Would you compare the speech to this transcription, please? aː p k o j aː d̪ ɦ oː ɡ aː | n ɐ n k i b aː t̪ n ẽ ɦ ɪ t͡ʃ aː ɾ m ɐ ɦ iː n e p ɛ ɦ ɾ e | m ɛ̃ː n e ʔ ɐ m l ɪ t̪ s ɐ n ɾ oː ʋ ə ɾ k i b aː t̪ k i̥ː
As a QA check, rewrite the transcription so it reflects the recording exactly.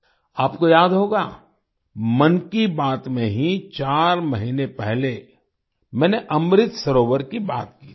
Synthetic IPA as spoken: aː p k o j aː d̪ ɦ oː ɡ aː | m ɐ n k i b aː t̪ m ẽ ɦ i t͡ʃ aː ɾ m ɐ ɦ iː n e p ɛ ɦ l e | m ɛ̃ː n e ʔ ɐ m ɾ ɪ t̪ s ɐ ɾ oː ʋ ə ɾ k i b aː t̪ k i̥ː